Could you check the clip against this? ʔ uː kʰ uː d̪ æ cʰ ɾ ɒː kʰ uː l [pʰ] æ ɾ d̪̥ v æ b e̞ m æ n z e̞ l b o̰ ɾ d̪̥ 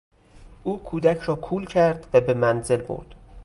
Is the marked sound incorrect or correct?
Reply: incorrect